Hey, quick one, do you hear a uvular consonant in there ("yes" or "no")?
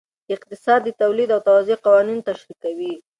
yes